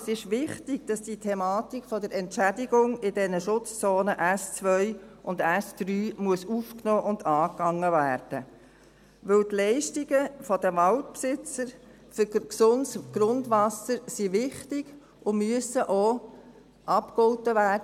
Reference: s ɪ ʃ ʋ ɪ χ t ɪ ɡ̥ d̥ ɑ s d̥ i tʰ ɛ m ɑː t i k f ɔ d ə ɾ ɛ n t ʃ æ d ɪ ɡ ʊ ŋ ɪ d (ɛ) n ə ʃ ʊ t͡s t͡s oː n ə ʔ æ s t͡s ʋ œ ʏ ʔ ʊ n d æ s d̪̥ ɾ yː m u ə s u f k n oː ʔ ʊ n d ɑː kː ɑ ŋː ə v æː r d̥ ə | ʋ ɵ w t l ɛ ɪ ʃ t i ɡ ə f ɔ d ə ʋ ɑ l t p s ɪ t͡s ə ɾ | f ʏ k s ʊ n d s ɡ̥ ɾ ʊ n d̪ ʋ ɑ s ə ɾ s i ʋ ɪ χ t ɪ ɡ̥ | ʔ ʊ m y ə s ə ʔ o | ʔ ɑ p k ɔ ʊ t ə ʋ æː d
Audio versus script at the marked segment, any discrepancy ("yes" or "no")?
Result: no